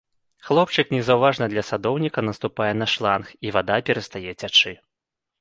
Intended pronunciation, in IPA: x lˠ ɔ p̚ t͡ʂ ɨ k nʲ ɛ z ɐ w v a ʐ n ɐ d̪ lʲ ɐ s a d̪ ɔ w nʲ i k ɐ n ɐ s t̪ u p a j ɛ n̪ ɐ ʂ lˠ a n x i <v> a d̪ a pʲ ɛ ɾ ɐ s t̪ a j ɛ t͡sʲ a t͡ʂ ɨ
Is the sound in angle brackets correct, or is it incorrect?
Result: correct